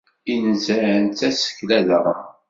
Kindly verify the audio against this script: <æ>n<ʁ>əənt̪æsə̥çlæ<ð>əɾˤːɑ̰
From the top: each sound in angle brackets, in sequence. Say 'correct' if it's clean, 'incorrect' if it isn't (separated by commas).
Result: incorrect, incorrect, correct